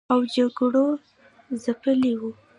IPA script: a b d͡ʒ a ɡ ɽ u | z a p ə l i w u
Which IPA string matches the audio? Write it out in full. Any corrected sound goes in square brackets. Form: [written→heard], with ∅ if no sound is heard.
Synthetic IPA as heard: a [b→w] d͡ʒ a ɡ ɽ [u→o] | z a p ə l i w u